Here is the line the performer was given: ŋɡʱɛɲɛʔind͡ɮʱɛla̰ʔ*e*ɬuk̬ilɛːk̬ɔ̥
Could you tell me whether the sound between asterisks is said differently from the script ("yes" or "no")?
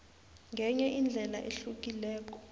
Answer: no